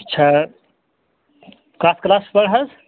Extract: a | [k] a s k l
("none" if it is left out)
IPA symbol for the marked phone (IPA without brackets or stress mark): k